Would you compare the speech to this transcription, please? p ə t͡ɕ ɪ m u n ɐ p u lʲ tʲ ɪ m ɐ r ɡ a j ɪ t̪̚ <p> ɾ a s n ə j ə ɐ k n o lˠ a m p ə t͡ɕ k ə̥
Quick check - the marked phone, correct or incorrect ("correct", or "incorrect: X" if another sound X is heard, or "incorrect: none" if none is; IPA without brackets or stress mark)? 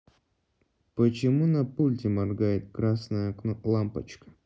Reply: incorrect: k